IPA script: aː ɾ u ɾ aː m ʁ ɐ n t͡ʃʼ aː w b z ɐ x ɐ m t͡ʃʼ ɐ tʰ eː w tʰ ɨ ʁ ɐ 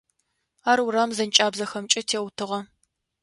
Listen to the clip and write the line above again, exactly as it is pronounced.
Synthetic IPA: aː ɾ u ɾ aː m z ɐ n t͡ʃʼ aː b z ɐ x ɐ m t͡ʃʼ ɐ tʰ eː w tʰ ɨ ʁ ɐ